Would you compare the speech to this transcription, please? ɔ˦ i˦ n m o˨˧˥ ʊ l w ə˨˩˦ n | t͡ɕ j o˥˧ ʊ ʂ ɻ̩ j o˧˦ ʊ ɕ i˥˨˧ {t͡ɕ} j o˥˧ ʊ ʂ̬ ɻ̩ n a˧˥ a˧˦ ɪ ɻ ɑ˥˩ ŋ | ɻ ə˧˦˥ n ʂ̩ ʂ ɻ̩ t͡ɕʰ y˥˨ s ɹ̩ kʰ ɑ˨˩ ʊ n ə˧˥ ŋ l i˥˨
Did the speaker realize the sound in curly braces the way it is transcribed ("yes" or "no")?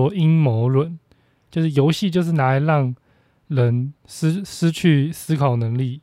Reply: yes